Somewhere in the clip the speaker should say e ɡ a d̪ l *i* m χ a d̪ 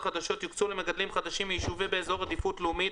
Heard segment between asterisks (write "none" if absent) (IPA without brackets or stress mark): i